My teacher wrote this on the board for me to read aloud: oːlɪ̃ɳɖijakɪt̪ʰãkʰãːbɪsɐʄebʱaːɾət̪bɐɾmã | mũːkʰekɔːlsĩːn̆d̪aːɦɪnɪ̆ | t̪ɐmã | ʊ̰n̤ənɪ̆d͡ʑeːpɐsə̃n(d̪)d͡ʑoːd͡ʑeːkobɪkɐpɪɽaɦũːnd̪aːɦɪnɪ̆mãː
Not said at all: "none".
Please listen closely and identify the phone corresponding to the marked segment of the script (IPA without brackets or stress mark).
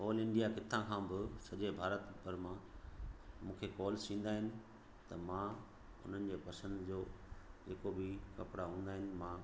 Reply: d̪